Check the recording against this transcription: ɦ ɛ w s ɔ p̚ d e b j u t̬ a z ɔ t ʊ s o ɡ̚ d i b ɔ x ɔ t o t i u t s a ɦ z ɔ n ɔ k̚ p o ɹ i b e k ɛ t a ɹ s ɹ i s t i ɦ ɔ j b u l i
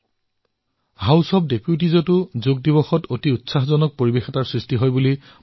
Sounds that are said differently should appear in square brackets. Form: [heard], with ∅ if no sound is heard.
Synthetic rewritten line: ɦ [a] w s ɔ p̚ d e [p] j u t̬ [i] z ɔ t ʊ [z] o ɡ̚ d i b ɔ x ɔ t o t i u t s a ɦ z ɔ n ɔ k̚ p o ɹ i b e [x] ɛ t a ɹ s ɹ i s t i ɦ ɔ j b u l i